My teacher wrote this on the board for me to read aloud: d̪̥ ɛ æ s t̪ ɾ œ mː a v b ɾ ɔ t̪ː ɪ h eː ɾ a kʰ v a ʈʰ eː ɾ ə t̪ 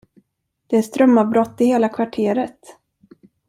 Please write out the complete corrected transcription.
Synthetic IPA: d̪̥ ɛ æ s t̪ ɾ œ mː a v b ɾ ɔ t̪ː ɪ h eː l a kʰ v a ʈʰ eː ɾ ə t̪